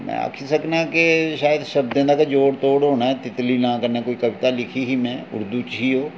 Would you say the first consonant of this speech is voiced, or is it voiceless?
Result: voiced